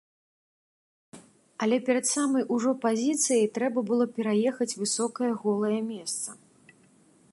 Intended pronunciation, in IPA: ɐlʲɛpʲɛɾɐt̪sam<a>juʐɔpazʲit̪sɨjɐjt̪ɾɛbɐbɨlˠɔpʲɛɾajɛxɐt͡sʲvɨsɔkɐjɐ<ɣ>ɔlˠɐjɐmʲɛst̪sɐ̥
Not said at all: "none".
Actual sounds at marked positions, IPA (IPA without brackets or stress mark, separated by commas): ɐ, ɣ